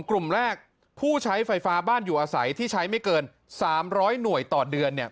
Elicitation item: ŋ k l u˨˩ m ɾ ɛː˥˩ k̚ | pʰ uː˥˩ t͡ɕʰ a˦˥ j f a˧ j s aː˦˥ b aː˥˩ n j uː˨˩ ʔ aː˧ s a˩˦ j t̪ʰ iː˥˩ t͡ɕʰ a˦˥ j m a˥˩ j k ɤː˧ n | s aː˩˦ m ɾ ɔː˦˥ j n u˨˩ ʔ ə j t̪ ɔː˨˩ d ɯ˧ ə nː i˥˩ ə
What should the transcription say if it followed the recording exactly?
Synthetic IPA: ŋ k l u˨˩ m ɾ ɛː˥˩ k̚ | pʰ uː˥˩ t͡ɕʰ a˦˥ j f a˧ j f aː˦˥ b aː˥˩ n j uː˨˩ ʔ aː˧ s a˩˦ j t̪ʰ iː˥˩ t͡ɕʰ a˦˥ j m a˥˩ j k ɤː˧ n | s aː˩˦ m ɾ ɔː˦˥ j n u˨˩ ə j t̪ ɔː˨˩ d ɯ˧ ə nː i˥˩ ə